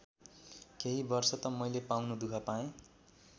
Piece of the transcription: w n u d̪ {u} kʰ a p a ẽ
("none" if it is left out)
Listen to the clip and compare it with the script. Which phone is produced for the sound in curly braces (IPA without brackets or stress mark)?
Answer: u